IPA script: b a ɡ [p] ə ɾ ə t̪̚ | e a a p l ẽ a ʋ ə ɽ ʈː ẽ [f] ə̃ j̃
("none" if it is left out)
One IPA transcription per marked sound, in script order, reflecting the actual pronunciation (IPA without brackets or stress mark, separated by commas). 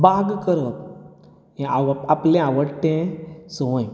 k, s